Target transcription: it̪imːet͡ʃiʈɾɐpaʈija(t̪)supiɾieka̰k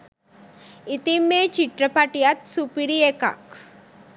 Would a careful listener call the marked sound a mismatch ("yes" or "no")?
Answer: no